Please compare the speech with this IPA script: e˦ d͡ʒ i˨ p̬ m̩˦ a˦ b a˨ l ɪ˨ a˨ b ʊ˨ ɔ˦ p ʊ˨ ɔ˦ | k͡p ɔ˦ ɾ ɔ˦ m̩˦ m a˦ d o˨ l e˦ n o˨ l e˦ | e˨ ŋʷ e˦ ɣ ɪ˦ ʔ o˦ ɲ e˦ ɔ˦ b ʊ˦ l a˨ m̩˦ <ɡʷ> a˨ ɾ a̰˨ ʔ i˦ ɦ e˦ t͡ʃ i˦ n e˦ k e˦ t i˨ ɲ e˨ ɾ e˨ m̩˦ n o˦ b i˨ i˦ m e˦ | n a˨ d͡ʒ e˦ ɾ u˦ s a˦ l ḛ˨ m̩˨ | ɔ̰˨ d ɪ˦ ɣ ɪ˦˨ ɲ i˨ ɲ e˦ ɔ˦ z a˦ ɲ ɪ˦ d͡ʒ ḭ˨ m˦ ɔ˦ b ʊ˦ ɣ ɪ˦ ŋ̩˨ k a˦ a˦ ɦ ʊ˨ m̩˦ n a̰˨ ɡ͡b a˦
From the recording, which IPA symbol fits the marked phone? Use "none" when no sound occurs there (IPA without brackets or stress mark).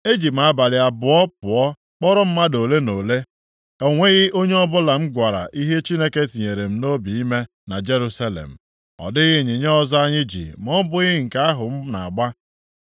ɡʷ